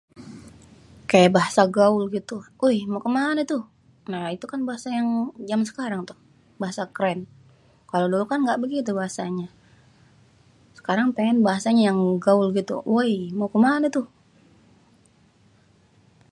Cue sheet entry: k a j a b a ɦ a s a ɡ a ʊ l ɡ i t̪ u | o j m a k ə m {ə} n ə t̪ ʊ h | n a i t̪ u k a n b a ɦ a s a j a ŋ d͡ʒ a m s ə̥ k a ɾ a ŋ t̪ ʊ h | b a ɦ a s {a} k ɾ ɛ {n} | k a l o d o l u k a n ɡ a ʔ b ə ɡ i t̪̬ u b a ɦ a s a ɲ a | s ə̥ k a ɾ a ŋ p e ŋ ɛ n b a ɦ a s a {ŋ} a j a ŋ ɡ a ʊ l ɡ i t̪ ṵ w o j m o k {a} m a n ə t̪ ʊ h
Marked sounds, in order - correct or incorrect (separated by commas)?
incorrect, correct, correct, incorrect, incorrect